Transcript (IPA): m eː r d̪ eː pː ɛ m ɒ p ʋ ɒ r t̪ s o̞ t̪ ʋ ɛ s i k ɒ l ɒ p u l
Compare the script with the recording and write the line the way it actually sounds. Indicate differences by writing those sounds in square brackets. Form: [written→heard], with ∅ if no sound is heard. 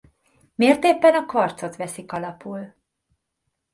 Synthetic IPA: m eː r [d̪→t̪] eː pː ɛ [m→n] ɒ [p→k] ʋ ɒ r t̪ s o̞ t̪ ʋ ɛ s i k ɒ l ɒ p u l